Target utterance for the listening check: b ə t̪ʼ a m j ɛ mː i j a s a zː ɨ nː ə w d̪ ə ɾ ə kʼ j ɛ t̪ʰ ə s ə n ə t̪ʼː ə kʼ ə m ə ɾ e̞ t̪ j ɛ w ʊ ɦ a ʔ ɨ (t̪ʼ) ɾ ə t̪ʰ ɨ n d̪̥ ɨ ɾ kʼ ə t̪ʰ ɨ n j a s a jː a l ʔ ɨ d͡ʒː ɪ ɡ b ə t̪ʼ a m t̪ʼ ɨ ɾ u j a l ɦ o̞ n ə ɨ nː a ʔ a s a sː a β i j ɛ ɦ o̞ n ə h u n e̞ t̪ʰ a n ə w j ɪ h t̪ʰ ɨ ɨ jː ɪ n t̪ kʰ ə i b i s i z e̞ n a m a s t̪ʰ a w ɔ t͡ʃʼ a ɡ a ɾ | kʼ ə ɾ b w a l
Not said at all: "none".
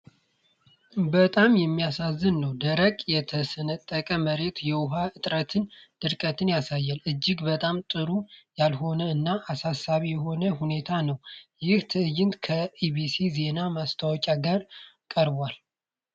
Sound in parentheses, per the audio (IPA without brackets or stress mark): t̪ʼ